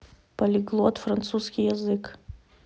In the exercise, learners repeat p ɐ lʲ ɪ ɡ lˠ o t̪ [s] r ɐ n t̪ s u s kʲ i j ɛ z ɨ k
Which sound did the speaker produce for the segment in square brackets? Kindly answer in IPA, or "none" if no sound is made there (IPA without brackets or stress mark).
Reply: f